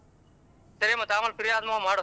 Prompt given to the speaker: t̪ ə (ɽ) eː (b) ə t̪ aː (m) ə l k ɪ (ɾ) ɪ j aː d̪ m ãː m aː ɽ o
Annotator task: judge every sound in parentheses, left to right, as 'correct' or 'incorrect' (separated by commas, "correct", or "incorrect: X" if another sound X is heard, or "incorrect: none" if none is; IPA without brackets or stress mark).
incorrect: ɾ, incorrect: m, correct, correct